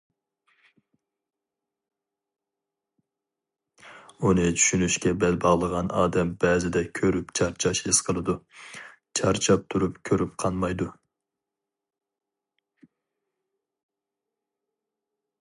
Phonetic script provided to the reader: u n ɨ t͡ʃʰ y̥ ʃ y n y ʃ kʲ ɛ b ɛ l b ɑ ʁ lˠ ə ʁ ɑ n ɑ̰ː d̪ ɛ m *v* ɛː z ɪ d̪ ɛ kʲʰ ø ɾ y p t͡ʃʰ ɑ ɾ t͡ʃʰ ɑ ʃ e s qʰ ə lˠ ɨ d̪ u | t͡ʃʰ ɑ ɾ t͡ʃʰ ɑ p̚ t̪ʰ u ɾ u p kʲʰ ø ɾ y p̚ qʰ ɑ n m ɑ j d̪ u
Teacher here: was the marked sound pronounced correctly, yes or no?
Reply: no